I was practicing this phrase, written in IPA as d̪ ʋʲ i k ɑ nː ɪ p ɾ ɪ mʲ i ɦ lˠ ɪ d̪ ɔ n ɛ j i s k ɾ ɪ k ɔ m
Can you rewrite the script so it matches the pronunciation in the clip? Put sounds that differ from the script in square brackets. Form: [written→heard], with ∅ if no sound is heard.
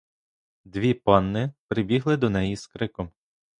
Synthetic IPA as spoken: d̪ ʋʲ i [k→p] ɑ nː ɪ p ɾ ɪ [mʲ→bʲ] i ɦ lˠ ɪ d̪ ɔ n ɛ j i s k ɾ ɪ k ɔ m